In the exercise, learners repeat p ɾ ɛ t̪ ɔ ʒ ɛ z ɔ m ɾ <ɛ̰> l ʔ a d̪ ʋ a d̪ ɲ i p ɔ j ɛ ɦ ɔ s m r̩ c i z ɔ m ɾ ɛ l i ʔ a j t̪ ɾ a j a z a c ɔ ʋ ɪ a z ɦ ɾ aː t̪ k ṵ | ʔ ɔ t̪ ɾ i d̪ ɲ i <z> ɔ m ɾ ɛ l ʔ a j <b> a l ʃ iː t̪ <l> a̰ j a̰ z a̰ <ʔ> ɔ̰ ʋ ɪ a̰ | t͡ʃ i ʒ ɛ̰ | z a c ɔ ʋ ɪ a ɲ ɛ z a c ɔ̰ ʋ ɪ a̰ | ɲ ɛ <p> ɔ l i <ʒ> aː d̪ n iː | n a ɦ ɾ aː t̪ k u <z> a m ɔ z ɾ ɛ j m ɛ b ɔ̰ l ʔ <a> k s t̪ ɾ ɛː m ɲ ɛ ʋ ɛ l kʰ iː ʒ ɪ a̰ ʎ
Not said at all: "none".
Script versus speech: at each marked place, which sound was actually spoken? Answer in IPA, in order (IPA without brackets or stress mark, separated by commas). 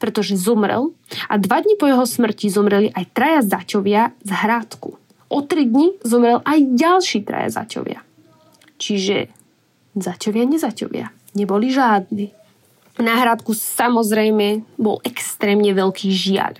ɛ̰, z, ɟ, ɾ, c, b, ʒ, s, ɛ